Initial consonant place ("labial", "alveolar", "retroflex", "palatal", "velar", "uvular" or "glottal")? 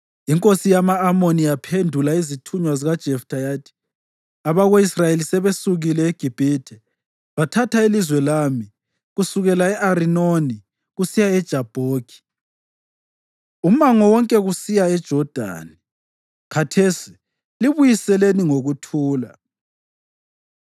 velar